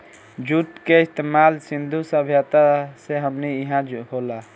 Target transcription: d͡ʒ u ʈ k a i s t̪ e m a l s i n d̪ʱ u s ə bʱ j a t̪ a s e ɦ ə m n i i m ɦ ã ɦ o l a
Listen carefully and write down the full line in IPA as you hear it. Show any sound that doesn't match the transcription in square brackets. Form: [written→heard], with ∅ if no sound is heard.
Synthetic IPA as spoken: d͡ʒ u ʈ k [a→e] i s t̪ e m a l s i n d̪ʱ u s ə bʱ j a t̪ a s e ɦ ə m n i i [m→∅] ɦ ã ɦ o l a